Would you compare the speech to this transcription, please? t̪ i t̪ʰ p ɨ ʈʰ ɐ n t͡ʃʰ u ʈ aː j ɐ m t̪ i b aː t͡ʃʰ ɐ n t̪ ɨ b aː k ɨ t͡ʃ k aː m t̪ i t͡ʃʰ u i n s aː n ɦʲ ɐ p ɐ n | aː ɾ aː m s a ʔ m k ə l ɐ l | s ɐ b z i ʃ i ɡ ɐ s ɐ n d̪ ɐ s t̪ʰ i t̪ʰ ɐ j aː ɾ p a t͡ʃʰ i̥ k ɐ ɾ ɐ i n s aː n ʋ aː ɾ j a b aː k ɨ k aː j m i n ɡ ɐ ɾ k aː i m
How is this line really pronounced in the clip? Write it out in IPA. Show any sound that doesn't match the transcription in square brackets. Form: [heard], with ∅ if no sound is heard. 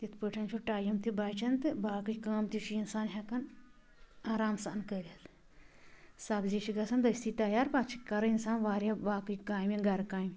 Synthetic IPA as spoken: t̪ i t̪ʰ p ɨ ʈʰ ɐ n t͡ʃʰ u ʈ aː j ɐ m t̪ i b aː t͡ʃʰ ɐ n t̪ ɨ b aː k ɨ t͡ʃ k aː m t̪ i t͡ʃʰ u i n s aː n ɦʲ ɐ [k] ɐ n | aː ɾ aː m s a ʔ [n] k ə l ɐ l | s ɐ b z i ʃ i ɡ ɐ s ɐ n d̪ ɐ s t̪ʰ i [t̪] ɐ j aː ɾ p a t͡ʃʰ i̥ k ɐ ɾ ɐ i n s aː n ʋ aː ɾ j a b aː k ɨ k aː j m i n ɡ ɐ ɾ k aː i m